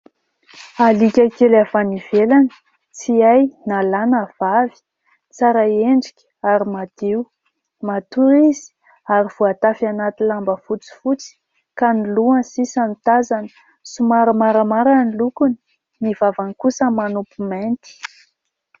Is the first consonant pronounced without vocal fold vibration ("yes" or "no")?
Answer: no